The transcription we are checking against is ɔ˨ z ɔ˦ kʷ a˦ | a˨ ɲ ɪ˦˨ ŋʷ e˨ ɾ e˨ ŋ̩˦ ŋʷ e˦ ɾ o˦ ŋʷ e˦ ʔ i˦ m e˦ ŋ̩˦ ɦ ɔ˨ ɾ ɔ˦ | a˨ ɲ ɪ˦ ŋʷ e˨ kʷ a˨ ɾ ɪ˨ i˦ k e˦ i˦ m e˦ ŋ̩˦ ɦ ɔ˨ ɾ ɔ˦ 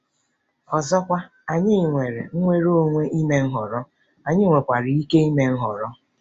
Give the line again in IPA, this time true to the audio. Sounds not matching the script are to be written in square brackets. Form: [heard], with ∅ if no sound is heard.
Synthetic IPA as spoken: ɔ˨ z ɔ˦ kʷ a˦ | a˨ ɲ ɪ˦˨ ŋʷ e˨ ɾ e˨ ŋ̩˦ ŋʷ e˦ ɾ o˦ ŋʷ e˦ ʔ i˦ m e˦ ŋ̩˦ ɦ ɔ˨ ɾ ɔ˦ | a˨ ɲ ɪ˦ ŋʷ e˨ kʷ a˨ ɾ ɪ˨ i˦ k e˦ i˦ m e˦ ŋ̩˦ ɦ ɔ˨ ɾ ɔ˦